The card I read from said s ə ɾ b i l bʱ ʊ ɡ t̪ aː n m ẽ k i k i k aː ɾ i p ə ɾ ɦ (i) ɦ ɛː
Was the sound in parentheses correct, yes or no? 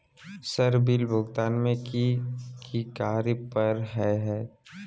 no